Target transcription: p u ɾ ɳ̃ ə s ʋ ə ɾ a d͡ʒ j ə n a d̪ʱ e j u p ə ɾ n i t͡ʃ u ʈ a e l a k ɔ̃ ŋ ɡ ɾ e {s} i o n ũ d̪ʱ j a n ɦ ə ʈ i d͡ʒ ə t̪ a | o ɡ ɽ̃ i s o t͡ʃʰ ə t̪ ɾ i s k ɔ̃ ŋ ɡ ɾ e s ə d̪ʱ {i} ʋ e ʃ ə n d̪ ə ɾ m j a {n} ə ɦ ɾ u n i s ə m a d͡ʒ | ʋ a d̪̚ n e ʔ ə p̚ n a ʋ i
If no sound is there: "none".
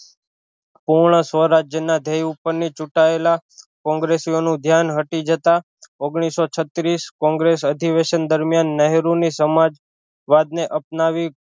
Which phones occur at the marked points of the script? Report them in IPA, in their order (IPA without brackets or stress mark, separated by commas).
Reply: s, i, nː